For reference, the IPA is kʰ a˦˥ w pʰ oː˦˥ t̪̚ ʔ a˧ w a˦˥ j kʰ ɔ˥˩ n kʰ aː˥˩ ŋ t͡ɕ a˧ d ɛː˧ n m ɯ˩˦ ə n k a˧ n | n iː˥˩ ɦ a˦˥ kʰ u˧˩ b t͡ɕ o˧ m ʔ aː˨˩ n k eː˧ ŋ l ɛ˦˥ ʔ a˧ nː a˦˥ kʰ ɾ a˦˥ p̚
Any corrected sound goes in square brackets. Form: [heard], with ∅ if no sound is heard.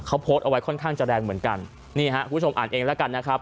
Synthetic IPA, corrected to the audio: kʰ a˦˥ w pʰ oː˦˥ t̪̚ ʔ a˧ w a˦˥ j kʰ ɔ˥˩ n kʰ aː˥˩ ŋ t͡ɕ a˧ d ɛː˧ [ŋ] m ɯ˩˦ ə n k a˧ n | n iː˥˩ ɦ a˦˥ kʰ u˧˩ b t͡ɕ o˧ m ʔ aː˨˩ n [ʔ] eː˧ ŋ l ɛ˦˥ [k] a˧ nː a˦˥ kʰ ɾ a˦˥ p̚